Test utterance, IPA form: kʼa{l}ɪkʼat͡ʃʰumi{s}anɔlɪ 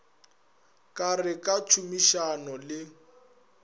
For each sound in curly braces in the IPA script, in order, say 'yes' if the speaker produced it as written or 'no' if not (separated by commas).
no, no